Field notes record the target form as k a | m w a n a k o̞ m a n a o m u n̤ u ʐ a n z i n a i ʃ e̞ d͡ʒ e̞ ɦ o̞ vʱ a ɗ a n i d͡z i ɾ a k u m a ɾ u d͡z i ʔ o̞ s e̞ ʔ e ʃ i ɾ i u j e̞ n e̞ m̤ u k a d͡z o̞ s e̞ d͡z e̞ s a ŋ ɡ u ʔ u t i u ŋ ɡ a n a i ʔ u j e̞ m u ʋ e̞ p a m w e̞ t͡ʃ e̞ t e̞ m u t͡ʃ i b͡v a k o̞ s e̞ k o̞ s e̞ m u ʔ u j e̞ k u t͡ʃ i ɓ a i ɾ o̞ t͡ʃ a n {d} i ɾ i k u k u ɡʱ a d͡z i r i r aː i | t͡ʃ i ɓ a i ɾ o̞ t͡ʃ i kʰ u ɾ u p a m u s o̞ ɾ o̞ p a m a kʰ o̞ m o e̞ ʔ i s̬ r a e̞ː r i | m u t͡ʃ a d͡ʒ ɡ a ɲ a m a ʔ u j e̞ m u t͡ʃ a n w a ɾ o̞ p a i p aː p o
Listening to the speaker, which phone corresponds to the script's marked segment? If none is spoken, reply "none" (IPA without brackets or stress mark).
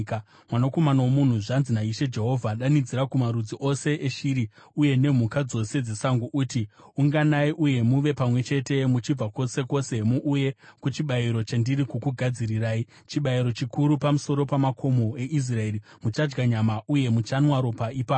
d